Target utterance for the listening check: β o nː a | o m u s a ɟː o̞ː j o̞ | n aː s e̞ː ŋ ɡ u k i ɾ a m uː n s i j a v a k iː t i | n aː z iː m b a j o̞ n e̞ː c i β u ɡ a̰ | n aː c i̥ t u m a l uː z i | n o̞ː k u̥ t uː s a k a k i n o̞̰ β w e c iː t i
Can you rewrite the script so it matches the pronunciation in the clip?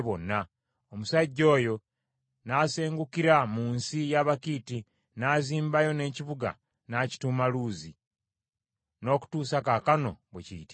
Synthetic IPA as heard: β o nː a | o m u s a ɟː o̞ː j o̞ | n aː s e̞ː ŋ ɡ u k i ɾ a m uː n s i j a β a k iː t i | n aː z iː m b a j o̞ n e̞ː c i β u ɡ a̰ | n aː c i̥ t u m a l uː z i | n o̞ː k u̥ t uː s a k a k a n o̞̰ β w e c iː t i